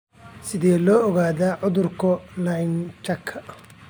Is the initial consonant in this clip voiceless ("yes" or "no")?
yes